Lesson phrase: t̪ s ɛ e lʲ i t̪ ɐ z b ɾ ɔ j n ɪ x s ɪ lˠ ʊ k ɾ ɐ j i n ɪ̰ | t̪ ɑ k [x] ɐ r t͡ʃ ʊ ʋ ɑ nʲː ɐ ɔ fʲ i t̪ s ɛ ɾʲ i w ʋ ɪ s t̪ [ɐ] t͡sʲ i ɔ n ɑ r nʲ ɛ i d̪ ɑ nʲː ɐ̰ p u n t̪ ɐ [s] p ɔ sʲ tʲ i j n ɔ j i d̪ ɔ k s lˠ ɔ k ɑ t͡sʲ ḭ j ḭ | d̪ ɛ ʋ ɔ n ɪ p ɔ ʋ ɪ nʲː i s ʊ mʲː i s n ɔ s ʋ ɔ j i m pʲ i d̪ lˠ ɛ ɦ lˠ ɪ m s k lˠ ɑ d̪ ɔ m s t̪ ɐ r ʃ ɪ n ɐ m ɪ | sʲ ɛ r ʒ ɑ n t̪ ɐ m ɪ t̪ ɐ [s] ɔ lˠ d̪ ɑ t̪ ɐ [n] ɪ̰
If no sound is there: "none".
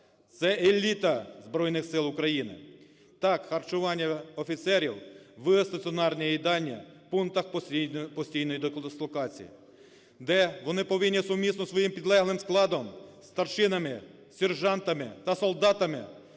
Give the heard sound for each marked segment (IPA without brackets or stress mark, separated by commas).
x, ɐ, x, s, m